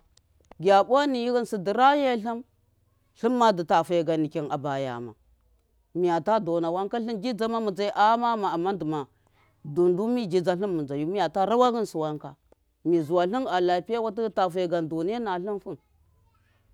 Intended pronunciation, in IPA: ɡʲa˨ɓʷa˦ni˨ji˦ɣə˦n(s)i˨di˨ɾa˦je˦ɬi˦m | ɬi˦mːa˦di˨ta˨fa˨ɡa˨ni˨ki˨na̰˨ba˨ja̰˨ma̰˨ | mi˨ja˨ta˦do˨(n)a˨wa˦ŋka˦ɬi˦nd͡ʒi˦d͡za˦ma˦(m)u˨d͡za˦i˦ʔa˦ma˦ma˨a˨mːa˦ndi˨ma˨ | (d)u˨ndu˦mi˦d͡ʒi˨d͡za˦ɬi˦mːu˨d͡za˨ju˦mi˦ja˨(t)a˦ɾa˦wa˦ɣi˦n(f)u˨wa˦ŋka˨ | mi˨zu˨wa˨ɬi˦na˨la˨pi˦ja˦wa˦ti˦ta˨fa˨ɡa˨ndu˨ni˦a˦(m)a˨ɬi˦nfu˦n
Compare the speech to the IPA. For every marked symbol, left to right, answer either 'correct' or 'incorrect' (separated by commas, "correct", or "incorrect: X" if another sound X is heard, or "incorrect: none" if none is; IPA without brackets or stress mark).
correct, correct, correct, correct, correct, incorrect: s, incorrect: n